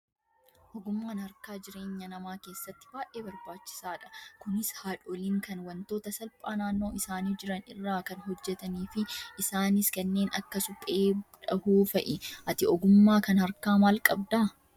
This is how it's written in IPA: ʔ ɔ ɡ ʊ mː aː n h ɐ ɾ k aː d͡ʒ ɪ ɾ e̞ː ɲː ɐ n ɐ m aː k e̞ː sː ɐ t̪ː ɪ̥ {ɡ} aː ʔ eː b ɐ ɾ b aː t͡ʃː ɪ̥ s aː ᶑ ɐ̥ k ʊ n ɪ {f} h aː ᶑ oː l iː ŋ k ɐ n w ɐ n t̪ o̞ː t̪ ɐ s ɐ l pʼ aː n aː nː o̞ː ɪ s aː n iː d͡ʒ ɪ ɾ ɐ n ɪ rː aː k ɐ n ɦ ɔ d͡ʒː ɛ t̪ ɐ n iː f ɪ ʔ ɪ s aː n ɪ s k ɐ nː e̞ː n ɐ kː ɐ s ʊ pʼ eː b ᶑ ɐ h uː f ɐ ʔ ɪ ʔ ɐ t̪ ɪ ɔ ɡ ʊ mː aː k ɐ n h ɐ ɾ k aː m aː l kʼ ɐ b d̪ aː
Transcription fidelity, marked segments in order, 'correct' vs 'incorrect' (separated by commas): incorrect, incorrect